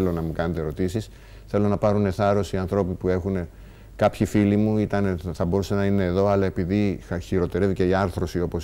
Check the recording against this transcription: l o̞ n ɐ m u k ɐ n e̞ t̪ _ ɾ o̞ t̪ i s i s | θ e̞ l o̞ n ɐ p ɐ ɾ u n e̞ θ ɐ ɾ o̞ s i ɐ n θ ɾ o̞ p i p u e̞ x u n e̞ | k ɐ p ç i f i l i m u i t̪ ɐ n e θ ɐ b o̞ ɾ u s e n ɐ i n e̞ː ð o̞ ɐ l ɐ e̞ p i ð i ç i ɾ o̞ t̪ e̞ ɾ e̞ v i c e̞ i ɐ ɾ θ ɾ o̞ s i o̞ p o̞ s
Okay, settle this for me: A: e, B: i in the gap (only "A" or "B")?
A